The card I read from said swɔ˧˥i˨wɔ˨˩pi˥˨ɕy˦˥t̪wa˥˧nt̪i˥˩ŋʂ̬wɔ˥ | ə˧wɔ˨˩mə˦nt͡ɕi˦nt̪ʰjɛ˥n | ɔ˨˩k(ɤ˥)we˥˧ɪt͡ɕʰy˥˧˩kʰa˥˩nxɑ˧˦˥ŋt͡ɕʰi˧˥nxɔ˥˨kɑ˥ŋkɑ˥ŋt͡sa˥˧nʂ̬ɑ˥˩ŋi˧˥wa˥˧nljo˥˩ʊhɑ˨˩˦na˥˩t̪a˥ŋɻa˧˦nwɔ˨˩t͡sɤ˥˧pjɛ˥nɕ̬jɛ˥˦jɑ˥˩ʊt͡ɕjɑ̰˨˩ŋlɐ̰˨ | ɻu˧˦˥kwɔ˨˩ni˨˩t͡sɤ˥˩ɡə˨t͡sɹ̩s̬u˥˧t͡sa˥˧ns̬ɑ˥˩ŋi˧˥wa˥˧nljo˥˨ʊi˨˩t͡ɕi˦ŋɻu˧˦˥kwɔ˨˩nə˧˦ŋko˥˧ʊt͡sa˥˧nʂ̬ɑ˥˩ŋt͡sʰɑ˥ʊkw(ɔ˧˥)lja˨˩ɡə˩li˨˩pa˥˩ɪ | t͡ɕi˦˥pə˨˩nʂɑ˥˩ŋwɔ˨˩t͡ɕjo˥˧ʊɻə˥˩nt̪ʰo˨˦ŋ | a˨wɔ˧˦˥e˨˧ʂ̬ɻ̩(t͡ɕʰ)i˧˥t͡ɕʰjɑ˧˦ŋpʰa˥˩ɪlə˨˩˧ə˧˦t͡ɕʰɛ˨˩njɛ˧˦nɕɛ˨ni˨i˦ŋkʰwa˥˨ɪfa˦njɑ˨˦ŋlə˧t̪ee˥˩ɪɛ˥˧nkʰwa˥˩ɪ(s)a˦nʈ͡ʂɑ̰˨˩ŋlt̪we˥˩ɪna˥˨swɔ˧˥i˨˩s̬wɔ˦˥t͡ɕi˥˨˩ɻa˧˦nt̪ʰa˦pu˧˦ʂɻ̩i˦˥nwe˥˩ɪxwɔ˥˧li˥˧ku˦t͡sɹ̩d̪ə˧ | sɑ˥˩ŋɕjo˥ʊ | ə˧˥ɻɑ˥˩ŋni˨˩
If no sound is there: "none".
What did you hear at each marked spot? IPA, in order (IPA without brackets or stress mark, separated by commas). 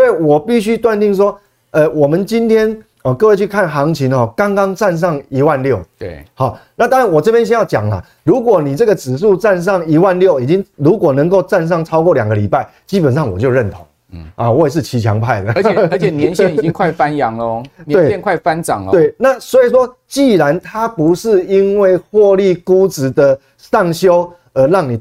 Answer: ɤ˥˧, ɔ˥˩, t͡ɕʰ, f